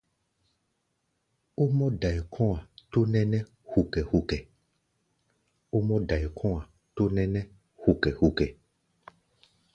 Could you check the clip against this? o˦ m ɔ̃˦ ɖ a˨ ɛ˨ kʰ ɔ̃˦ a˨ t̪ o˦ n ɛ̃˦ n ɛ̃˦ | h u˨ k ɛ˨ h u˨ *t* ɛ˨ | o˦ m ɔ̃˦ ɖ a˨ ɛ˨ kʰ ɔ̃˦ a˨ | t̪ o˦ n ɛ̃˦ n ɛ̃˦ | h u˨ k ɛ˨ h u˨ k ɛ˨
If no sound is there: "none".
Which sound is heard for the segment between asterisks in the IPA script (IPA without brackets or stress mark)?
k